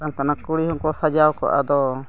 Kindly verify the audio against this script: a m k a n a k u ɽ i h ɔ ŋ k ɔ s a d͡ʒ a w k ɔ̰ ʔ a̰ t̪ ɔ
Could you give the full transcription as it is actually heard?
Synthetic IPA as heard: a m k a n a k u ɽ i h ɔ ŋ k ɔ s a d͡ʒ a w k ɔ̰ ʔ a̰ d̪ ɔ